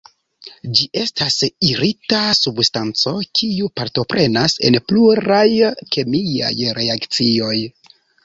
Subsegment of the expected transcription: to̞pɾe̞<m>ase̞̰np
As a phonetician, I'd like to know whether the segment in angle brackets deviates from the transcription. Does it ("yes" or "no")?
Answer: yes